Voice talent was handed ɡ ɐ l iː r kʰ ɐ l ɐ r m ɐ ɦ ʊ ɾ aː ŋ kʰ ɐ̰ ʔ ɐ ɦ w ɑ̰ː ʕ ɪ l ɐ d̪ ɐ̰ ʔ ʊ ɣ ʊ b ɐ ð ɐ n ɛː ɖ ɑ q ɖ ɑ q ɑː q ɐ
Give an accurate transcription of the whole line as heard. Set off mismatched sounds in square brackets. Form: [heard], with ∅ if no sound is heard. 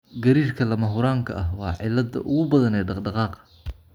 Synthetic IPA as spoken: ɡ ɐ [ɾ] iː r kʰ ɐ l ɐ [∅] m ɐ ɦ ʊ ɾ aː ŋ kʰ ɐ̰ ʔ ɐ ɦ w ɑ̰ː ʕ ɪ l ɐ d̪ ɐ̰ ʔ ʊ ɣ ʊ b ɐ ð ɐ n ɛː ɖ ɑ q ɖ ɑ q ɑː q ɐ